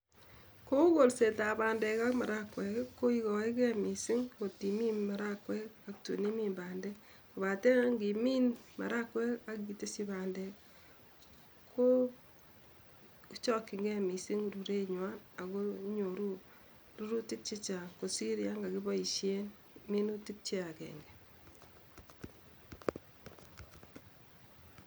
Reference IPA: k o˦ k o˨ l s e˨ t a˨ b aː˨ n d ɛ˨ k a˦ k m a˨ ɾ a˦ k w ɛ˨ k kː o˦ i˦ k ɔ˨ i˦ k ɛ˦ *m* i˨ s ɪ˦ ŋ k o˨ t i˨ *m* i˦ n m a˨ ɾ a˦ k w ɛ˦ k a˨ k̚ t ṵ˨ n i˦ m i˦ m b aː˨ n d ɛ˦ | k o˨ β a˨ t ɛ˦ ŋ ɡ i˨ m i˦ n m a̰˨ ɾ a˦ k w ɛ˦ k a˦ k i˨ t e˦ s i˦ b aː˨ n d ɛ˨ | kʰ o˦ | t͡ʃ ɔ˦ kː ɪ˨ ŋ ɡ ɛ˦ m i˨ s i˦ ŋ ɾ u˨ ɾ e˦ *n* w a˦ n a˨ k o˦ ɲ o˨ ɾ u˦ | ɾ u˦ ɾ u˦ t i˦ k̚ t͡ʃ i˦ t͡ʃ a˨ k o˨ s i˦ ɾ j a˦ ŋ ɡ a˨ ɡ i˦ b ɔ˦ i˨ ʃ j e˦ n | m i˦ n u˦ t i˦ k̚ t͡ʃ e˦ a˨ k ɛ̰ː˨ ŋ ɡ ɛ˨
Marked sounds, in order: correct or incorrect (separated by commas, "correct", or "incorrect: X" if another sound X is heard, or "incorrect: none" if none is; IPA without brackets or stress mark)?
correct, correct, incorrect: ɲ